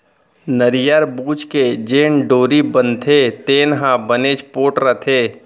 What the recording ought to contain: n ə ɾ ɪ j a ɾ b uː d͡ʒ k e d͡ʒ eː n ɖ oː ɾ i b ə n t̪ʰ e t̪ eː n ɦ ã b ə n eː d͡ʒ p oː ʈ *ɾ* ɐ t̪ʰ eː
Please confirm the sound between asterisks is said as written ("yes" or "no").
yes